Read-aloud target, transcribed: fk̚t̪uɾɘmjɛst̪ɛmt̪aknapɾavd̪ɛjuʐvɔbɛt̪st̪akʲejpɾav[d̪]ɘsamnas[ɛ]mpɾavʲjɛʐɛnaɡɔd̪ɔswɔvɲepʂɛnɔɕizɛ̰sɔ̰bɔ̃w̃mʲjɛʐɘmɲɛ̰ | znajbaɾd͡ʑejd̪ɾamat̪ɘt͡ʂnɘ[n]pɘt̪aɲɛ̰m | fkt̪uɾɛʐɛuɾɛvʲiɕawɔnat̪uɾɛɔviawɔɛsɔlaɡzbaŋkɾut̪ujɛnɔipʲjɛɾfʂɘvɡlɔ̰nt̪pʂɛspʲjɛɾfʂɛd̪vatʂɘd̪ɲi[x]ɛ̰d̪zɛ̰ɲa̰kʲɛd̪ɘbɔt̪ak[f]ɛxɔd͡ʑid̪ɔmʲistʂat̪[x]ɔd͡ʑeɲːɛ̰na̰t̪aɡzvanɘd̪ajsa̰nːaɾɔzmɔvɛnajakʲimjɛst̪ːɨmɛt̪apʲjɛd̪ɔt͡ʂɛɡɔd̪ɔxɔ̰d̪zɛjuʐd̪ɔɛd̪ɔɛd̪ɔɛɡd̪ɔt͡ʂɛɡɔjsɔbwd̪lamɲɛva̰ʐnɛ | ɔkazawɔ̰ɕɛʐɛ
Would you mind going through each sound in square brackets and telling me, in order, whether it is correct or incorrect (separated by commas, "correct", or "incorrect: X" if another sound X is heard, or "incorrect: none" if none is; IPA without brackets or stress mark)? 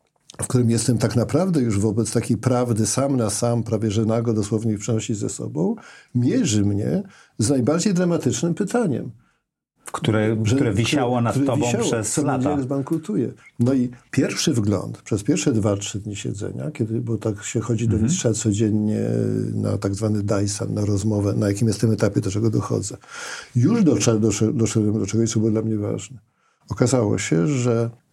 correct, incorrect: a, incorrect: m, incorrect: ɕ, incorrect: ɕ, incorrect: s